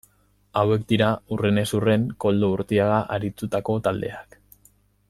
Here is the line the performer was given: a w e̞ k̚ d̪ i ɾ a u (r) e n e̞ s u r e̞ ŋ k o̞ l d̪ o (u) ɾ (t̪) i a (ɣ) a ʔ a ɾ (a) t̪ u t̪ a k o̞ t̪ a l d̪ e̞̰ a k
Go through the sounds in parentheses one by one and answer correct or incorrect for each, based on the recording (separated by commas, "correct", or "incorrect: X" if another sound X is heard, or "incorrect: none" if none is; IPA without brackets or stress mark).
correct, correct, correct, correct, incorrect: i